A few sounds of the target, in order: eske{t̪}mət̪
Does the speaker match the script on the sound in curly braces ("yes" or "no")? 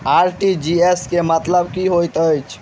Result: no